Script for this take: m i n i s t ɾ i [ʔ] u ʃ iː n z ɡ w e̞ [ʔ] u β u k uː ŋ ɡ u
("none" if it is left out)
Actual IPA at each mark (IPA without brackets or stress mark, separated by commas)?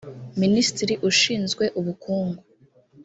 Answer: ʔ, ʔ